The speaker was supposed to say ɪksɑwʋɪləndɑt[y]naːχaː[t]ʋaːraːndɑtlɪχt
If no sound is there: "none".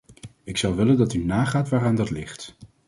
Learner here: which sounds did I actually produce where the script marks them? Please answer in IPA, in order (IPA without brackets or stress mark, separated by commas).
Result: y, t